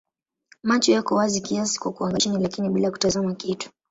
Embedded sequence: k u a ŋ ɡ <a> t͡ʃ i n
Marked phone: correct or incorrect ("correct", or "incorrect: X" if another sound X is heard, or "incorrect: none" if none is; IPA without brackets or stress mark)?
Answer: correct